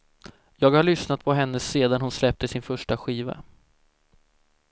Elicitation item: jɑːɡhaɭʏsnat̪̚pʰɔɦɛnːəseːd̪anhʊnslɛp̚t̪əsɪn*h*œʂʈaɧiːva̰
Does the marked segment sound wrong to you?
yes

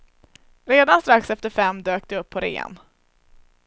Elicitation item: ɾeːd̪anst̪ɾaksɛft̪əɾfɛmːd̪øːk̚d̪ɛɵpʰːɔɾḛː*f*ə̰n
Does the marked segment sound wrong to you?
yes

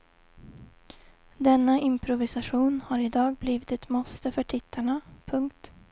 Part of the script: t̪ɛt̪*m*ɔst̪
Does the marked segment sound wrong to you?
no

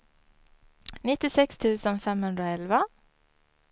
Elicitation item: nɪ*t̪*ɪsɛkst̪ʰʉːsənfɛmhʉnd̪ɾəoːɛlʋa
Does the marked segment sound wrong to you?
no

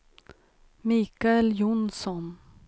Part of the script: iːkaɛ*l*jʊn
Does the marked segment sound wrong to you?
no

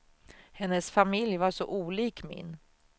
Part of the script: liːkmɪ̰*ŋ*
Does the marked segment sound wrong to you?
yes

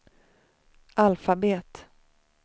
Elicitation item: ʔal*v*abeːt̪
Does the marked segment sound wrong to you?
yes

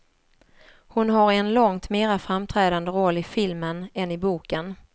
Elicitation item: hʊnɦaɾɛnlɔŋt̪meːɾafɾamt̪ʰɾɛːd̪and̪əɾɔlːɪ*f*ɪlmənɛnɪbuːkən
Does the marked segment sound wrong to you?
no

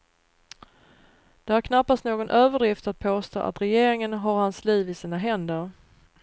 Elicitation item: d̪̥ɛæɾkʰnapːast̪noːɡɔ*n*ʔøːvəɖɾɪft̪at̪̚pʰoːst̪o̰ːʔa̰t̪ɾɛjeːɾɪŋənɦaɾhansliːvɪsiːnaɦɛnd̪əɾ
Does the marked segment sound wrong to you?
no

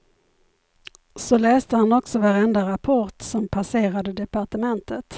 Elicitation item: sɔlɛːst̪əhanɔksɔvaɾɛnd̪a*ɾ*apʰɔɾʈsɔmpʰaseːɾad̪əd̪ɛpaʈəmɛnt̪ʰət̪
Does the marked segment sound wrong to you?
no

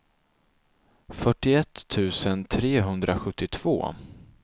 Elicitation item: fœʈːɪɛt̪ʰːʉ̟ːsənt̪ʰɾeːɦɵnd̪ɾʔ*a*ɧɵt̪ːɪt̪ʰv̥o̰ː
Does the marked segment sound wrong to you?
no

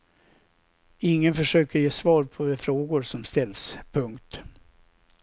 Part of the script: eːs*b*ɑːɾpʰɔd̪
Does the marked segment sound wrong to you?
yes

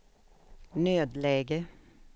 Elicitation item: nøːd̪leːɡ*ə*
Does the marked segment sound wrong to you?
no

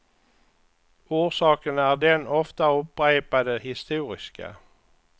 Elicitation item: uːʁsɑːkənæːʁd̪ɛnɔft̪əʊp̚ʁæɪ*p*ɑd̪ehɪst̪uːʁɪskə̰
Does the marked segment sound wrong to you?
no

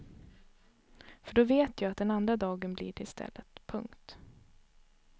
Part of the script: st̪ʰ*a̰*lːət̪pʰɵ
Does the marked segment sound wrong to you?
yes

